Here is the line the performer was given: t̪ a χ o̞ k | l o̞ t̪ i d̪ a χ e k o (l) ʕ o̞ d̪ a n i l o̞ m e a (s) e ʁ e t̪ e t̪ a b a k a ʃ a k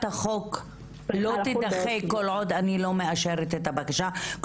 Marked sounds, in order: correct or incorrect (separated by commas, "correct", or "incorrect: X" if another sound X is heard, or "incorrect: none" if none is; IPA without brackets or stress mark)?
correct, incorrect: ʃ